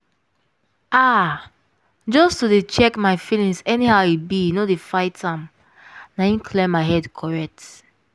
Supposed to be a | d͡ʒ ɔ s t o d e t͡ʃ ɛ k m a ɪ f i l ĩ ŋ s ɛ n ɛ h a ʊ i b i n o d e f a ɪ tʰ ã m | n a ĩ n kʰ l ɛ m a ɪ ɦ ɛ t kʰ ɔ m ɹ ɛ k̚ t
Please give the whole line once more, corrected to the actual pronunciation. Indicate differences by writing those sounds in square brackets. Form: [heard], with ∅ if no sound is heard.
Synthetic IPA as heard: a | d͡ʒ ɔ s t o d e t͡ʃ ɛ k m a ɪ f i l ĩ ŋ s ɛ n [i] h a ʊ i b i n o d e f a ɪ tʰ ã m | n a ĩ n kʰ l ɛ m a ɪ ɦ ɛ [d] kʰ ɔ [∅] ɹ ɛ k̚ t